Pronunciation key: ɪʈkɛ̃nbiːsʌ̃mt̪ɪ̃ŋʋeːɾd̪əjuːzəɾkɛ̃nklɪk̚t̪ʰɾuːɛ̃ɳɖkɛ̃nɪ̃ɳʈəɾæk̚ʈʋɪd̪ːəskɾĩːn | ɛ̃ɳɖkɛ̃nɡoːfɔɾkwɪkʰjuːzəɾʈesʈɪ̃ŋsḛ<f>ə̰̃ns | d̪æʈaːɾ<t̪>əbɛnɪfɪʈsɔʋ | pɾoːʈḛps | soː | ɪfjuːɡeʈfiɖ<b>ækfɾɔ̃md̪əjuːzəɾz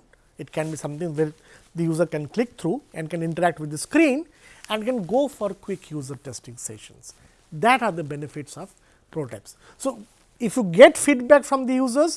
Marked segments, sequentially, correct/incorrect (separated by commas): incorrect, incorrect, correct